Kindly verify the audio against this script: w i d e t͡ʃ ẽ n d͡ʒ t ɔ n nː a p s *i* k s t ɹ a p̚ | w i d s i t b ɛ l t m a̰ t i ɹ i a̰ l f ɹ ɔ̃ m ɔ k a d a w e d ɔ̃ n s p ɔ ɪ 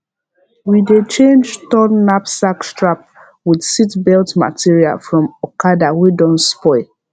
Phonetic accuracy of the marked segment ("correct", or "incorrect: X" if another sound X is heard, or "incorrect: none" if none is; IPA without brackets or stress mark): incorrect: a